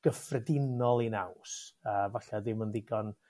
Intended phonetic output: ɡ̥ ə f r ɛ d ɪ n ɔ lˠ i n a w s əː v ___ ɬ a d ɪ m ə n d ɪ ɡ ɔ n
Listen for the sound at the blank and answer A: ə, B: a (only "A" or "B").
B